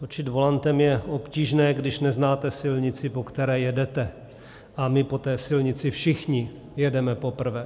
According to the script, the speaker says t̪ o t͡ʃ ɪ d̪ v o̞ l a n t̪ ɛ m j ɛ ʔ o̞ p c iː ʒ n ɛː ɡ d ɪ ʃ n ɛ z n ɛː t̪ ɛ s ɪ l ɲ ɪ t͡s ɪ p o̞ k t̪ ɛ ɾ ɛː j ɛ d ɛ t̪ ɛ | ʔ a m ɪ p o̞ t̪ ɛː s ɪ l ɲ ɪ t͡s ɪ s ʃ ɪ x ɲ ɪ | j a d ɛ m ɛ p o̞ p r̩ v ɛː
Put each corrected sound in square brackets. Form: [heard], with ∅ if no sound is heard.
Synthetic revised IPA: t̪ o t͡ʃ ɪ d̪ v o̞ l a n t̪ ɛ m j ɛ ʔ o̞ p c iː ʒ n ɛː ɡ d ɪ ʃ n ɛ z n [aː] t̪ ɛ s ɪ l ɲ ɪ t͡s ɪ p o̞ k t̪ ɛ ɾ ɛː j ɛ d ɛ t̪ ɛ | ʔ a m ɪ p o̞ t̪ ɛː s ɪ l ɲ ɪ t͡s ɪ [f] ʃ ɪ x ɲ ɪ | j [ɛ] d ɛ m ɛ p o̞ p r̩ v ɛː

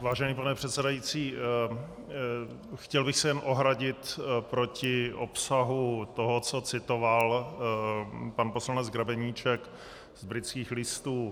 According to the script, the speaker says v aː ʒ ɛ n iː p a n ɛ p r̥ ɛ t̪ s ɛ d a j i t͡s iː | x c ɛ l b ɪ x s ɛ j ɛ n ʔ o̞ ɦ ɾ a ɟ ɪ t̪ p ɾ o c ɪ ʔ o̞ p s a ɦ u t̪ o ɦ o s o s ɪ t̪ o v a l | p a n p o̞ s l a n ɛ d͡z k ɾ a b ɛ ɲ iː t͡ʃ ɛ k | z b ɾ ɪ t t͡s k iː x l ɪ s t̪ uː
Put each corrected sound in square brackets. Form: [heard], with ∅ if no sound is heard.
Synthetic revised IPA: v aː ʒ ɛ n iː p a n ɛ p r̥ ɛ t̪ s ɛ d a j i t͡s iː | x c ɛ l b ɪ x s ɛ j ɛ n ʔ o̞ ɦ ɾ a ɟ ɪ t̪ p ɾ o c ɪ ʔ o̞ p s a ɦ u t̪ o ɦ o [t͡s] o [t͡s] ɪ t̪ o v a l | p a n p o̞ s l a n ɛ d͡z [ɡ] ɾ a b ɛ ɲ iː t͡ʃ ɛ k | z b ɾ ɪ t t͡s k iː x l ɪ s t̪ uː

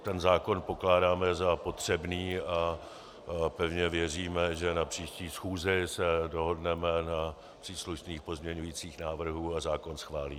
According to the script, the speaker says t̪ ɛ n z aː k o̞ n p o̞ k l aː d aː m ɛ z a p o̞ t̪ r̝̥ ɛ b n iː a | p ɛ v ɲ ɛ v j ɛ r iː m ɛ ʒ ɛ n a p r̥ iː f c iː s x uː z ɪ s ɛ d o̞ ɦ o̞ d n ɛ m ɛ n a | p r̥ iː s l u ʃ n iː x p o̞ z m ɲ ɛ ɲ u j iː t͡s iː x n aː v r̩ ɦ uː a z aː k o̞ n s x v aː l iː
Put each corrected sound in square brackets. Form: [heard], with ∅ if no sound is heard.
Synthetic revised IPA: t̪ ɛ n z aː k o̞ n p o̞ k l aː d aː m ɛ z a p o̞ t̪ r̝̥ ɛ b n iː a | p ɛ v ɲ ɛ v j ɛ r iː m ɛ ʒ ɛ n a p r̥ iː [ʃ] c iː s x uː z ɪ s ɛ d o̞ ɦ o̞ d n ɛ m ɛ n a | p r̥ iː s l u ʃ n iː x p o̞ z m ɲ ɛ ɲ u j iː t͡s iː x n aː v r̩ ɦ uː a z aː k o̞ n s x v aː l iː

